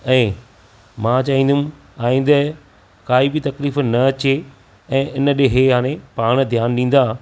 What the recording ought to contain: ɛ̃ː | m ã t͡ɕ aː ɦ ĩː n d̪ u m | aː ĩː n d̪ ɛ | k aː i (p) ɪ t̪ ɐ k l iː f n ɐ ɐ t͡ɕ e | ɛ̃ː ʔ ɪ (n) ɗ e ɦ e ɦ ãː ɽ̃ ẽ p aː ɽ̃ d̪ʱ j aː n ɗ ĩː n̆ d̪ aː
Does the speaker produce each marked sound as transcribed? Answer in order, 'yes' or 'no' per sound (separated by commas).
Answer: no, yes